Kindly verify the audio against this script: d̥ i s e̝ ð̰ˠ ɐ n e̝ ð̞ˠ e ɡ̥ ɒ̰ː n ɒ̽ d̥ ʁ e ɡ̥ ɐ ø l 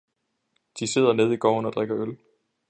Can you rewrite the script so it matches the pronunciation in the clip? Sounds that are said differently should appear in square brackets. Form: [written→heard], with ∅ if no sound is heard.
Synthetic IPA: d̥ i s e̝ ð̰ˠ ɐ n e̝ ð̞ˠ [e→i] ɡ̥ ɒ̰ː n ɒ̽ d̥ ʁ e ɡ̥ ɐ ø l